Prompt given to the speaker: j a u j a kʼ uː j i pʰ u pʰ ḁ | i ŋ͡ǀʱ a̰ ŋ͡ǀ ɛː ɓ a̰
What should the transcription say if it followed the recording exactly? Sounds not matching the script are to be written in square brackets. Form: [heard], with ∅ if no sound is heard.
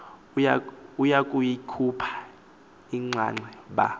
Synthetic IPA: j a u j a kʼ [u] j i [kʰ] u pʰ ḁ | i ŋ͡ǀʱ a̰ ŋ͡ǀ [ɛ] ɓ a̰